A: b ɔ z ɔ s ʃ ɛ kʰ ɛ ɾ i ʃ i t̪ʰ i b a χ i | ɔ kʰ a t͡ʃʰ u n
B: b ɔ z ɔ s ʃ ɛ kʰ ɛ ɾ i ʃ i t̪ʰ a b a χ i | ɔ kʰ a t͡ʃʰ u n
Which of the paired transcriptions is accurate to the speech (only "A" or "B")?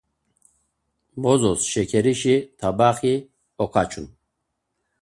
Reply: B